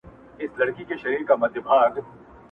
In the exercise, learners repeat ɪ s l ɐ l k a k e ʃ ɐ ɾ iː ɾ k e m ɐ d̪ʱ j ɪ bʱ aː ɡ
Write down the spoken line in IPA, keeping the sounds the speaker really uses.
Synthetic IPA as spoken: ɪ s l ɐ ɽ k i k e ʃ ɐ ɾ iː ɾ k a m ɐ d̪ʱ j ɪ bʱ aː ɡ